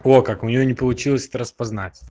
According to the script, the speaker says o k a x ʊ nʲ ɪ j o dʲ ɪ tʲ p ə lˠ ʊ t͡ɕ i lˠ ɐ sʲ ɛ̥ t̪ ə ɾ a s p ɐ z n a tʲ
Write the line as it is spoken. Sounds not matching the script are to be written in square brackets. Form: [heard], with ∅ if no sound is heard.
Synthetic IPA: o k a [k] ʊ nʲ ɪ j o [nʲ] ɪ [∅] p ə lˠ ʊ t͡ɕ i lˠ [ə] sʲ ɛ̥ t̪ ə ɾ [ə] s p ɐ z n a tʲ